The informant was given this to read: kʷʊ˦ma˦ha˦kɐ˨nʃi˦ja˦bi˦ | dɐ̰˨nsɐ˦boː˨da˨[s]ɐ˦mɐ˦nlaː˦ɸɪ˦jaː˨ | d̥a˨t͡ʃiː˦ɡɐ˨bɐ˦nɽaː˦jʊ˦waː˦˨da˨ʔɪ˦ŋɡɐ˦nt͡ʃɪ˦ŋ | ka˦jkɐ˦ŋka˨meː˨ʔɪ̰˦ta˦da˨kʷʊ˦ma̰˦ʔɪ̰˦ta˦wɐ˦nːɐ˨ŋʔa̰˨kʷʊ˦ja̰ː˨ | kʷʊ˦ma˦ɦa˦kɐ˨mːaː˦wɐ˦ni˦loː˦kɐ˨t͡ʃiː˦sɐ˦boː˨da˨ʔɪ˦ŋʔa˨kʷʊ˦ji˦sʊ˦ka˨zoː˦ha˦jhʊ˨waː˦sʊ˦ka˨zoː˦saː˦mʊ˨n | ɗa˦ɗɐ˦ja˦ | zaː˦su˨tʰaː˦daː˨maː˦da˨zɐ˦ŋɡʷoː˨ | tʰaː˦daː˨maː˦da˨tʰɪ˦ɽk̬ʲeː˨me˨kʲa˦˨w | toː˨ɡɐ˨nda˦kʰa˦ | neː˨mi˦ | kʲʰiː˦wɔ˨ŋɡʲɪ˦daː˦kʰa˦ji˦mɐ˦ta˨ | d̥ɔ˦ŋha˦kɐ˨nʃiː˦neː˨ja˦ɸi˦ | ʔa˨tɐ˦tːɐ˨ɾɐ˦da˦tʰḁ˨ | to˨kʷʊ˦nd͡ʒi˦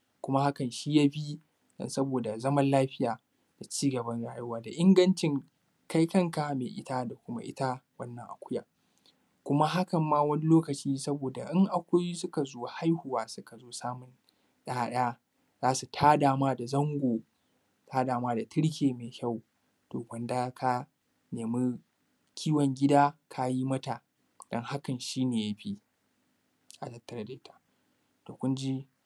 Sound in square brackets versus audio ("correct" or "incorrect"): incorrect